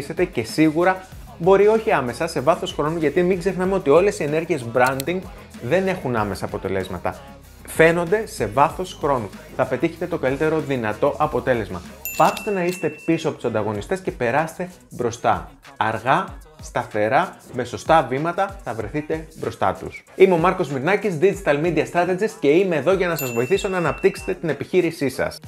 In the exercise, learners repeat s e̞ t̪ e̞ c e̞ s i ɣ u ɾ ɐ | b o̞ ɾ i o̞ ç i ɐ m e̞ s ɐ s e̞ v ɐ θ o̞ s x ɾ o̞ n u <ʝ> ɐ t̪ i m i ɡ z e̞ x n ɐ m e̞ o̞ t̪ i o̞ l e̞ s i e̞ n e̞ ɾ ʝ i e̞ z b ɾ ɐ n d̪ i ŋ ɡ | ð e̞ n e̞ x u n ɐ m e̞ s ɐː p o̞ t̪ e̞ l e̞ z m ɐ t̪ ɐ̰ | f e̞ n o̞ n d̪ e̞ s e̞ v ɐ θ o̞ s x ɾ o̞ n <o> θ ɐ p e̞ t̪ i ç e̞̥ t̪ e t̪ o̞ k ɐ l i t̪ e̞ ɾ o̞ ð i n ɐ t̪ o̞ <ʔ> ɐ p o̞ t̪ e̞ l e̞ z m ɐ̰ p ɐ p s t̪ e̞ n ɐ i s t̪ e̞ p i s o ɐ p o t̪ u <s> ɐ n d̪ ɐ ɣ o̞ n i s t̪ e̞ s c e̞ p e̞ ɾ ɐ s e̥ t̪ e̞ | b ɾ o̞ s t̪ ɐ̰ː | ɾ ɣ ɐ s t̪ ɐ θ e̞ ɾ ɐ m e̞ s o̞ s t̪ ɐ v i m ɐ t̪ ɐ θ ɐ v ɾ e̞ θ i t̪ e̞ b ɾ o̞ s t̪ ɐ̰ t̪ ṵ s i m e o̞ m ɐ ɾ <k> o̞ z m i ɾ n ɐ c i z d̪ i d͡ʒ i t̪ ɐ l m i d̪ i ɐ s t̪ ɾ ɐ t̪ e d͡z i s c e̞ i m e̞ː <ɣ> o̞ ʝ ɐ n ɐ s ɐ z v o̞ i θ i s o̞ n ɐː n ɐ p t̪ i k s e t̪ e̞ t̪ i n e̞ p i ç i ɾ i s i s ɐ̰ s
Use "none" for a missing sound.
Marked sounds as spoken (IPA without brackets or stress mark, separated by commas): ʝ, u, ʔ, s, k, ð